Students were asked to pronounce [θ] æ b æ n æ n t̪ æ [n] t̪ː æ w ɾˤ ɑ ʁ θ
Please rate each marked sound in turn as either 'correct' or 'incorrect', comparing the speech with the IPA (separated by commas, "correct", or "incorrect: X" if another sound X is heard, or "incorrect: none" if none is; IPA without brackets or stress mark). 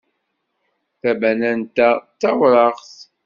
correct, incorrect: none